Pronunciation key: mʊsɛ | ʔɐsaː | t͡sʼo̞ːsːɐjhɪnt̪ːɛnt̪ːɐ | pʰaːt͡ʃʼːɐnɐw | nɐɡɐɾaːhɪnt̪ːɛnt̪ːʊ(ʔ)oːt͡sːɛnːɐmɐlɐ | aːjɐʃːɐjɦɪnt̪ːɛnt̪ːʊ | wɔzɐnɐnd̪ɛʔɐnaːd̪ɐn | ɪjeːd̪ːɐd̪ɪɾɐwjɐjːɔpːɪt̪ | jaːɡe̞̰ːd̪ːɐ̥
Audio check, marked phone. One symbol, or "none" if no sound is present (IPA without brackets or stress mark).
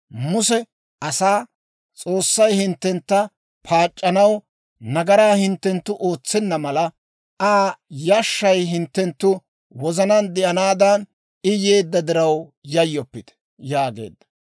ʔ